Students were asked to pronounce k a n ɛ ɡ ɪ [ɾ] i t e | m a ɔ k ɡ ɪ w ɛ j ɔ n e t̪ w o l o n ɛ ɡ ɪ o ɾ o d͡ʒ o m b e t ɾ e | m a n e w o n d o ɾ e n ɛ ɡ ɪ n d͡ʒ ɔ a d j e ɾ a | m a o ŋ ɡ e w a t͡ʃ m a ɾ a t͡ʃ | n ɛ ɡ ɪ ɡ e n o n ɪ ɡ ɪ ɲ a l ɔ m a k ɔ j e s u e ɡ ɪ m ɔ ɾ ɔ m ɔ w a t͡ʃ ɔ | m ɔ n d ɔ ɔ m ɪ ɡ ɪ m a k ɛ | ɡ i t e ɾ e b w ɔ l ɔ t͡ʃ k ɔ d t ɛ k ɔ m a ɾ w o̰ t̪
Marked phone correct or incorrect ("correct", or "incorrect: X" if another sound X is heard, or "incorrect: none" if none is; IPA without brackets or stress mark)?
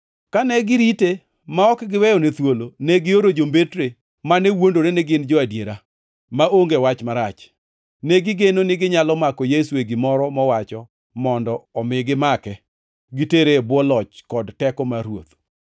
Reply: correct